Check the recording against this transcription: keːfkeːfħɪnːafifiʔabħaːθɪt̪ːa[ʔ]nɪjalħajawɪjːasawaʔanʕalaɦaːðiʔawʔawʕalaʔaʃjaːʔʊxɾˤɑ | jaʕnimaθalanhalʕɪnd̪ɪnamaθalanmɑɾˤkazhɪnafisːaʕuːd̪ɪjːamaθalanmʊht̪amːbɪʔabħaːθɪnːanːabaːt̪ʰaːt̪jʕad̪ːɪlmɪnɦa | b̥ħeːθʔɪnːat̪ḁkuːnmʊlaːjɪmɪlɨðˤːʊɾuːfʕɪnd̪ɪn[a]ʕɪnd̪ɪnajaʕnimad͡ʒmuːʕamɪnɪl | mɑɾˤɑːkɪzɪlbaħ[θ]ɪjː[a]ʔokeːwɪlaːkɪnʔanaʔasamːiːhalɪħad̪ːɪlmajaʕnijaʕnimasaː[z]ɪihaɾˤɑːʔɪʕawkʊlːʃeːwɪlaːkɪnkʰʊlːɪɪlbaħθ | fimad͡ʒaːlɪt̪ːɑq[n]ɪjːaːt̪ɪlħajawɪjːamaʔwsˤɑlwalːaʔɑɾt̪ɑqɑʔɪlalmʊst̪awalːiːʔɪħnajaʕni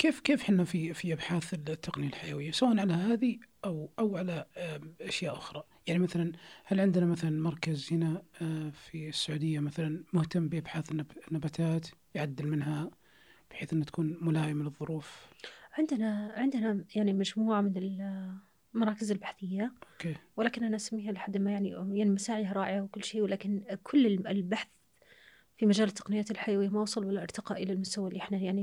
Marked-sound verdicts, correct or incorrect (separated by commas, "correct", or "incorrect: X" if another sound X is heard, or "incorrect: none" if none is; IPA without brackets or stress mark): incorrect: q, correct, correct, correct, incorrect: ʕ, correct